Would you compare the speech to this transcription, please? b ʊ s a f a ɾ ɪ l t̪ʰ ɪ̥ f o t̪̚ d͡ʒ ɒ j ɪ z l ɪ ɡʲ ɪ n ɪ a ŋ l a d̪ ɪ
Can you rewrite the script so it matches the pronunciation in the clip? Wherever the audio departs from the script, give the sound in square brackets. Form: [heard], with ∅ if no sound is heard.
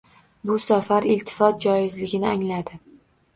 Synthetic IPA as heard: b ʊ s a f a ɾ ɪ l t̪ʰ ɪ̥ f [ɒ] t̪̚ d͡ʒ ɒ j ɪ z l ɪ ɡʲ ɪ n ɪ a ŋ l a d̪ ɪ